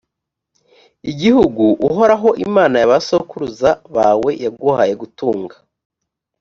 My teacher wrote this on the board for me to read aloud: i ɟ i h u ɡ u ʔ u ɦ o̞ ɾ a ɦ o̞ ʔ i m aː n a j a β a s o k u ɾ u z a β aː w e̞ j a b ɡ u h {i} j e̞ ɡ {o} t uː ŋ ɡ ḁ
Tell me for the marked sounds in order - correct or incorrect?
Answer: incorrect, incorrect

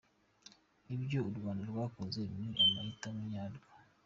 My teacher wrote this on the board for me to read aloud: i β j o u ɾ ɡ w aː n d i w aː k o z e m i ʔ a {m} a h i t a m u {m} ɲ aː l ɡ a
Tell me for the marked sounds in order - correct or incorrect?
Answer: correct, incorrect

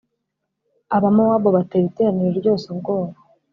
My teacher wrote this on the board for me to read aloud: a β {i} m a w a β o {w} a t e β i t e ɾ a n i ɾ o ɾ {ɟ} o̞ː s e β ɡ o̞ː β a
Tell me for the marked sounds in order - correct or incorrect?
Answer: incorrect, incorrect, correct

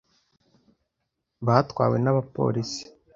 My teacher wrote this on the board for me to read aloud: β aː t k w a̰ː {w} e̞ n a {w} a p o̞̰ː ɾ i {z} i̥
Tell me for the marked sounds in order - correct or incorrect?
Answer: correct, incorrect, incorrect

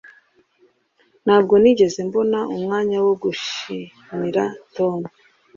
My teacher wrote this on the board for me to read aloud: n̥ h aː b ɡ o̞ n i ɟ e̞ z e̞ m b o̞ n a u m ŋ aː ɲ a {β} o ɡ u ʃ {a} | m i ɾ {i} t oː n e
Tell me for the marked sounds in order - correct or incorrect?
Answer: incorrect, incorrect, incorrect

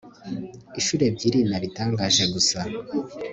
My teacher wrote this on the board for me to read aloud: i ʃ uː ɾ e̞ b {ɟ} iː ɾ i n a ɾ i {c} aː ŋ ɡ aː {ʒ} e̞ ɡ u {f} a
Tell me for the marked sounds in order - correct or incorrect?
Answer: correct, incorrect, correct, incorrect

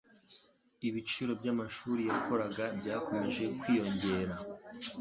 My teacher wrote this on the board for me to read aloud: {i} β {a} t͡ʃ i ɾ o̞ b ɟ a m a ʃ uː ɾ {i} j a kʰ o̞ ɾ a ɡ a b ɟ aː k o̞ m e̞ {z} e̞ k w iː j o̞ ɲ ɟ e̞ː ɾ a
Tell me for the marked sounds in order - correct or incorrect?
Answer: correct, incorrect, correct, incorrect

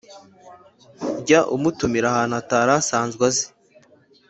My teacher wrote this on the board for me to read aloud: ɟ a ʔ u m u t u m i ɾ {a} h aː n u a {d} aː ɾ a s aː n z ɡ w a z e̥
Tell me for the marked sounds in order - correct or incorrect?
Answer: correct, incorrect

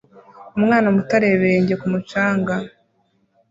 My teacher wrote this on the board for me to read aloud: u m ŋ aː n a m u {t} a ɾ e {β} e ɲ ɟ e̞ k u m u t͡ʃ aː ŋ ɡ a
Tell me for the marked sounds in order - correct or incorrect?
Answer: correct, correct

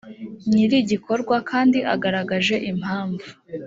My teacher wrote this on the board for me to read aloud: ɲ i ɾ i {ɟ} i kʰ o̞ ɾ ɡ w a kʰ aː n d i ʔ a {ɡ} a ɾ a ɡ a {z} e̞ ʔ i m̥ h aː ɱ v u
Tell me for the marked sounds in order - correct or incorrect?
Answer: correct, correct, incorrect

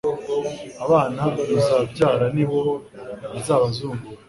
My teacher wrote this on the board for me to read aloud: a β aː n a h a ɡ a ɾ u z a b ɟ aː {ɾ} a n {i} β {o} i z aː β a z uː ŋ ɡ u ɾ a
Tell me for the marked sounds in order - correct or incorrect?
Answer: correct, correct, correct

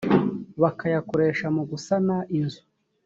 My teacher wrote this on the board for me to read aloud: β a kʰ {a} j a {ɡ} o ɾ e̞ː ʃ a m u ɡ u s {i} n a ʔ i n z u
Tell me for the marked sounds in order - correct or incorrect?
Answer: correct, incorrect, incorrect

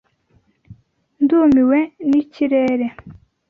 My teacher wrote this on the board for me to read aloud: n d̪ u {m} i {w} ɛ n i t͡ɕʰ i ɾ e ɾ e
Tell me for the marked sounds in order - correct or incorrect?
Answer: correct, correct

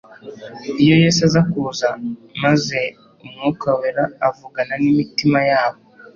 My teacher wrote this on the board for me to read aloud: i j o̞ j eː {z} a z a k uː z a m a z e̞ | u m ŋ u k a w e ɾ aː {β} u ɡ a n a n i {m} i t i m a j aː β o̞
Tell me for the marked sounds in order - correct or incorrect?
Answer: incorrect, incorrect, correct

